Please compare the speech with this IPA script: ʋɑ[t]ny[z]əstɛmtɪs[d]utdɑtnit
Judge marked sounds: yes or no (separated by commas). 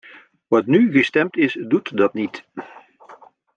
yes, no, yes